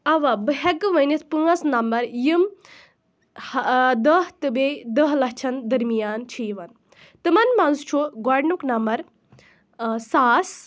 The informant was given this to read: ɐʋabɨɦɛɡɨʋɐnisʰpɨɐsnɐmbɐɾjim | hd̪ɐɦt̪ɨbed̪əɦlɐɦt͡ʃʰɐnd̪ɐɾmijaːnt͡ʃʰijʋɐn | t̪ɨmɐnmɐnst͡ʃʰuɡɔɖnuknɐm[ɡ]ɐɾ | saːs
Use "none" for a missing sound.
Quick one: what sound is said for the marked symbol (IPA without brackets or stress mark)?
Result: b